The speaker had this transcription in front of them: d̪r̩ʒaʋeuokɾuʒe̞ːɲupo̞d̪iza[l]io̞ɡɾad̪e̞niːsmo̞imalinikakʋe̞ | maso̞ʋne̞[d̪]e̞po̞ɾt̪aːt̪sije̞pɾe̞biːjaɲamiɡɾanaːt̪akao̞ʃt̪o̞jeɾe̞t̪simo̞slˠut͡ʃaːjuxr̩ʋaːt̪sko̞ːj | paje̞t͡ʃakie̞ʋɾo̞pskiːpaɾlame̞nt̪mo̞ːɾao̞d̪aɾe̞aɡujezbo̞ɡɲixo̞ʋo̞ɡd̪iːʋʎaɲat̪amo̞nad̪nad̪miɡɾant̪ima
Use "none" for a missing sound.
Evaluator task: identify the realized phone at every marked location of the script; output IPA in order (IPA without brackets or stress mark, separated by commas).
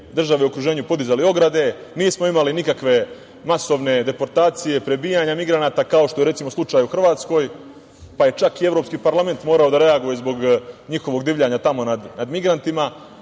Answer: l, d̪